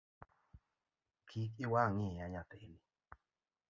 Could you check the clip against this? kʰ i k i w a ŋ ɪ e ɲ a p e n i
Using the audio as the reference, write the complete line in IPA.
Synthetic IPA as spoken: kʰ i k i w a ŋ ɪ a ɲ a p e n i